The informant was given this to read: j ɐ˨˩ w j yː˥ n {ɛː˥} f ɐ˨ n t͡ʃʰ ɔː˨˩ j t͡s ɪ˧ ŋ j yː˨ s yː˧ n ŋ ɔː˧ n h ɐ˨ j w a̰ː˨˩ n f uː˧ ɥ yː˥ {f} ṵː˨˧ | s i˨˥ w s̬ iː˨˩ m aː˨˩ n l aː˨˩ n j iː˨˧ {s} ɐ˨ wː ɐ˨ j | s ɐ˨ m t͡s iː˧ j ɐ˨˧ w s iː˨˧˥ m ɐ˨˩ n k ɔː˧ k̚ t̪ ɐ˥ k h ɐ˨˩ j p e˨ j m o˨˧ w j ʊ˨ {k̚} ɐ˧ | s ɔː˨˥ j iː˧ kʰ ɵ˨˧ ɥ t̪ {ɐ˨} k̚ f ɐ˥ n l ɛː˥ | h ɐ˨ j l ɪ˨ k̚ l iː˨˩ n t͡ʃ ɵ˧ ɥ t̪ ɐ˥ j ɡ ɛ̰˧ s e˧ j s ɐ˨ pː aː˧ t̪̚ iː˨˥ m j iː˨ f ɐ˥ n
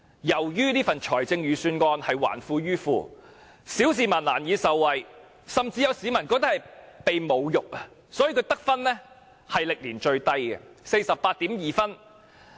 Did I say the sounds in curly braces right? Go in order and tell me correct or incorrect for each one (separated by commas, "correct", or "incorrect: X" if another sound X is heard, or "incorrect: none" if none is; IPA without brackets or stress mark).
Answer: incorrect: iː˥, correct, correct, correct, incorrect: ɐ˥